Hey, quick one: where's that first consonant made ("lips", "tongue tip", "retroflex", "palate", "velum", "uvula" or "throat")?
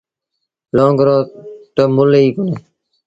tongue tip